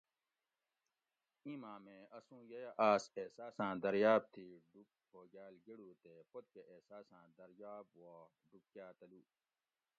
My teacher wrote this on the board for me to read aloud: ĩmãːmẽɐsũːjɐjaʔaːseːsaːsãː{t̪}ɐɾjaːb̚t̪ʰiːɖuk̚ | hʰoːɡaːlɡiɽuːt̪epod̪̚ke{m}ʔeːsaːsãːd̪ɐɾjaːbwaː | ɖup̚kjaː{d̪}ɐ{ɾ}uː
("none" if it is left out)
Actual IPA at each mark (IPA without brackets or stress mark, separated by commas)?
d̪, none, t̪, l